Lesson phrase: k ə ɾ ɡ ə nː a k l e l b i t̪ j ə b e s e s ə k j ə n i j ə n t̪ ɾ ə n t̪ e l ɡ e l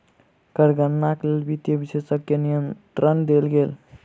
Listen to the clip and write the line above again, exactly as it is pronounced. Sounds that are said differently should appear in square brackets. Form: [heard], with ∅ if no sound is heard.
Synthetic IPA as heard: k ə ɾ ɡ ə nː a k l e l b i t̪ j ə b [i] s e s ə k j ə n i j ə n t̪ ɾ ə n [d̪] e l ɡ e l